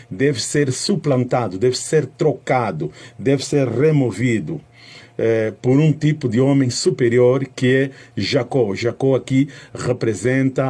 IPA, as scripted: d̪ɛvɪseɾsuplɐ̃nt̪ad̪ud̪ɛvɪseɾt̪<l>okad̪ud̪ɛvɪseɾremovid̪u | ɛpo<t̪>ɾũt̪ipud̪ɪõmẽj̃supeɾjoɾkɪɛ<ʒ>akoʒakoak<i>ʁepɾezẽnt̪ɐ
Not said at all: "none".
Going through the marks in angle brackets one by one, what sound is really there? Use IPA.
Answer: ɾ, none, ʒ, i

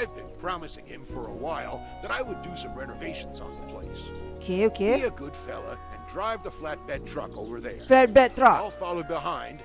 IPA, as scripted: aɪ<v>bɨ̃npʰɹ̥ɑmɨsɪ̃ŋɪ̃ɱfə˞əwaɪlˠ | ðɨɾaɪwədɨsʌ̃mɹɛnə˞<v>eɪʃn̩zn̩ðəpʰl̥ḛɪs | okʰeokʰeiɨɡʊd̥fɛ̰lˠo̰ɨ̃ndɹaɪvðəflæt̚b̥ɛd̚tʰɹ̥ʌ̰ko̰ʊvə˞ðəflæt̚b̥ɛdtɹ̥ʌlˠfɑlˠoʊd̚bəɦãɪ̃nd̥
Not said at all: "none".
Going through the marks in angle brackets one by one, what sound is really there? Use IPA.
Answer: v, v

